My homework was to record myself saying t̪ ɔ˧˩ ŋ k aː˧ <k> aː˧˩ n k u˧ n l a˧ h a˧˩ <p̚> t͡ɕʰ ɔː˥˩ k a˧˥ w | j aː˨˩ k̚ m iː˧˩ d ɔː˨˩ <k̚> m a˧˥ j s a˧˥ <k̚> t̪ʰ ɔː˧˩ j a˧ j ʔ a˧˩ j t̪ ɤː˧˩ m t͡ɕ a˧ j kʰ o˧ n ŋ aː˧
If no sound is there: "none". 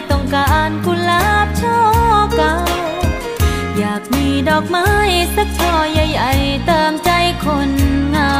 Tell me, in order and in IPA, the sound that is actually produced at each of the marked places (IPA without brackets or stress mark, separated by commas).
ʔ, p̚, k̚, k̚